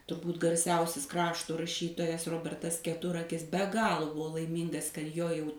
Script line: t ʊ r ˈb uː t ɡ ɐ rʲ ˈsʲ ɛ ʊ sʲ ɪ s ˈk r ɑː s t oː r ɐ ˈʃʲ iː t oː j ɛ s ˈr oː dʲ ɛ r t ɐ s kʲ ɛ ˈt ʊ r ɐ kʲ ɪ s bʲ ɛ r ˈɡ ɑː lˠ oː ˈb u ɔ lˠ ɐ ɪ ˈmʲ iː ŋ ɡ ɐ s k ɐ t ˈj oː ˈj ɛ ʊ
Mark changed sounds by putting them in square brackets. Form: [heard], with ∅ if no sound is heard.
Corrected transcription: t ʊ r ˈb uː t ɡ ɐ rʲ ˈsʲ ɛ ʊ sʲ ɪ s ˈk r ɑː [ʃ] t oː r ɐ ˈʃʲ iː t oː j ɛ s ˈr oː [bʲ] ɛ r t ɐ s kʲ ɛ ˈt ʊ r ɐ kʲ ɪ s bʲ ɛ [∅] ˈɡ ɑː lˠ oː ˈb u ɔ lˠ ɐ ɪ ˈmʲ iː ŋ ɡ ɐ s k ɐ t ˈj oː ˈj ɛ ʊ